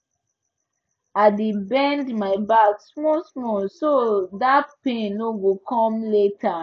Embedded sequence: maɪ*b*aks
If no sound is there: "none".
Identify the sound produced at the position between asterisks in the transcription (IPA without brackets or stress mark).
b